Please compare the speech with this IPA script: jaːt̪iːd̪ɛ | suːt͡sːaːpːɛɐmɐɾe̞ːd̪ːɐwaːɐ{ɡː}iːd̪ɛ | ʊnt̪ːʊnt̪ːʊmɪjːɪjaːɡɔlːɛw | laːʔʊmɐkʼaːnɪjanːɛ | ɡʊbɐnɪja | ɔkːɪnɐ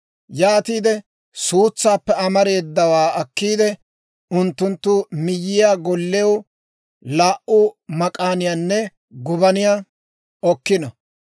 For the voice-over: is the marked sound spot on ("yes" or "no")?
no